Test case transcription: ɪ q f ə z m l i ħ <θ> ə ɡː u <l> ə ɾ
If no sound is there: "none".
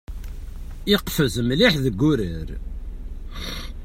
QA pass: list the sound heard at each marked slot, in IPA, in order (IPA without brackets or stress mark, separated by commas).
ð, ɾ